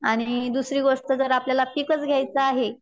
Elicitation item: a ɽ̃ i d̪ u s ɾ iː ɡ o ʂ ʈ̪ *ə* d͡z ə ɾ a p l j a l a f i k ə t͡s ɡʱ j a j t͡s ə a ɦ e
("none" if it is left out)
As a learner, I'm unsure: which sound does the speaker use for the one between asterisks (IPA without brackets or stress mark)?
ə